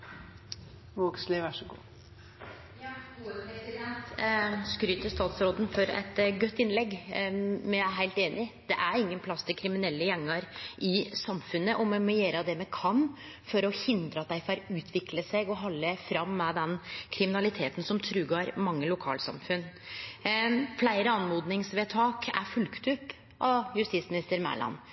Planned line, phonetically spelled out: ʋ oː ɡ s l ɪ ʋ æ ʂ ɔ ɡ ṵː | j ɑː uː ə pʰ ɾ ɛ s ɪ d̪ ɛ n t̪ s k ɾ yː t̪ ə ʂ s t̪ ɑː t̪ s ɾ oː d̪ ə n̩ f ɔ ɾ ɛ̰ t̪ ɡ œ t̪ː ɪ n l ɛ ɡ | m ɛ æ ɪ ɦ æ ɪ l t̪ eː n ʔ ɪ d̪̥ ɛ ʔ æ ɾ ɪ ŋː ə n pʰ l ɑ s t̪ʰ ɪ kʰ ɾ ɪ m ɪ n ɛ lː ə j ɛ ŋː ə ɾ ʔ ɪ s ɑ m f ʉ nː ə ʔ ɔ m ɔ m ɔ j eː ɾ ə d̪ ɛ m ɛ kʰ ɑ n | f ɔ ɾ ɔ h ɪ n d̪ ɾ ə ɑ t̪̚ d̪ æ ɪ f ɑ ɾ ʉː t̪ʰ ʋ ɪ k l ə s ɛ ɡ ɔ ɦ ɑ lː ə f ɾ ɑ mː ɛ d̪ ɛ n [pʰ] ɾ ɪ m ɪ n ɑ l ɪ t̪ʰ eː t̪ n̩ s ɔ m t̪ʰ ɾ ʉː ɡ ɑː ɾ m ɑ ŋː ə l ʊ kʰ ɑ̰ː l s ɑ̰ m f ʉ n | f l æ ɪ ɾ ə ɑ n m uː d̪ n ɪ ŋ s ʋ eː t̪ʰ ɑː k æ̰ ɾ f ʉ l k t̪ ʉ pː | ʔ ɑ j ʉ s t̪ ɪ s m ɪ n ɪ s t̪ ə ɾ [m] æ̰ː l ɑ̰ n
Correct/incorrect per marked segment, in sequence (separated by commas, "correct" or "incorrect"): incorrect, correct